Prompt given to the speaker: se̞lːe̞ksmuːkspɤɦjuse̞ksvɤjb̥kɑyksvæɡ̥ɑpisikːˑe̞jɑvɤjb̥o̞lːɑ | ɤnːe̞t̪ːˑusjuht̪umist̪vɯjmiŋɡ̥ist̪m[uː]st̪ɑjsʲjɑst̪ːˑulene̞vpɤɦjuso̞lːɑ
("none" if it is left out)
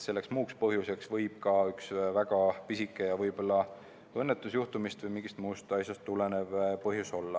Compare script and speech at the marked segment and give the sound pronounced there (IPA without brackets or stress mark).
uː